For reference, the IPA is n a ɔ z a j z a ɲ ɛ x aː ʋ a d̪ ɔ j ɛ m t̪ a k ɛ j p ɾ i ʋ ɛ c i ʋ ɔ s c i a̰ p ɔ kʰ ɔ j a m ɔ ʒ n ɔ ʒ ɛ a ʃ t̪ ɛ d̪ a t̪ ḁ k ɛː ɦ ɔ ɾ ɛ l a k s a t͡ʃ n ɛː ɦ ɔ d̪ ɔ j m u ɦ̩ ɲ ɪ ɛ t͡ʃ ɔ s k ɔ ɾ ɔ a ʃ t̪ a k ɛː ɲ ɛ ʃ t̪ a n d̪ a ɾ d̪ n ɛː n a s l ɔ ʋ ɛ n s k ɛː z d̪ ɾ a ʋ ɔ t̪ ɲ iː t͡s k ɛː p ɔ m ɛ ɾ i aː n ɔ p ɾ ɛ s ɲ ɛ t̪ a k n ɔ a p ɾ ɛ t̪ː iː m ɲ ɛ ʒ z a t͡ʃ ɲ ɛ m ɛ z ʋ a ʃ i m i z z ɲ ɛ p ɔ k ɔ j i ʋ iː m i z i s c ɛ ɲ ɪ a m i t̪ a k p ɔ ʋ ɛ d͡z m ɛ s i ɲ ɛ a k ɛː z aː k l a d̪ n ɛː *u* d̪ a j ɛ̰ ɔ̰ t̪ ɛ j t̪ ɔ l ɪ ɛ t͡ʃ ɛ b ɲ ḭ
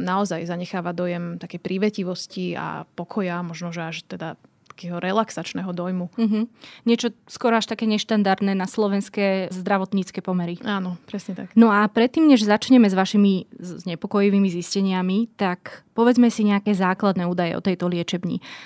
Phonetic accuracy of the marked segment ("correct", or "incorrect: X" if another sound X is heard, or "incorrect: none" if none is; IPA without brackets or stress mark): incorrect: uː